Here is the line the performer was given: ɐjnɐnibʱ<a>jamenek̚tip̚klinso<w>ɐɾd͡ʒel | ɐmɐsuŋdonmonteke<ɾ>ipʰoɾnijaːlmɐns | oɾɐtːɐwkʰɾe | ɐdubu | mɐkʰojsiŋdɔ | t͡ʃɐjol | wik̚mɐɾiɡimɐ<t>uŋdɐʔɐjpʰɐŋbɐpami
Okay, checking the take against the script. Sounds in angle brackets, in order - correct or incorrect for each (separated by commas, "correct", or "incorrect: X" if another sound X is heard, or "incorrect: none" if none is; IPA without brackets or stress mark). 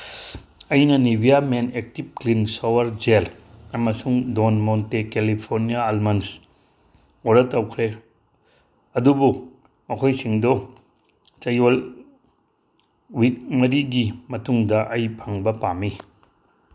incorrect: i, correct, incorrect: l, correct